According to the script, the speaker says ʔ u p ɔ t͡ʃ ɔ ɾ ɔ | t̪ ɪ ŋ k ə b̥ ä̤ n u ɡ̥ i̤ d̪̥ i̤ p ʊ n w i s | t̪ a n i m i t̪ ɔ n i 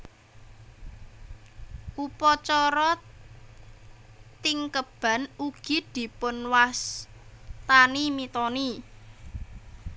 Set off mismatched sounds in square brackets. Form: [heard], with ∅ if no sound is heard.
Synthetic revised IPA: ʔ u p ɔ t͡ʃ ɔ ɾ ɔ | t̪ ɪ ŋ k ə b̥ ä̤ n u ɡ̥ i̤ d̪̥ i̤ p ʊ n w [a] s | t̪ a n i m i t̪ ɔ n i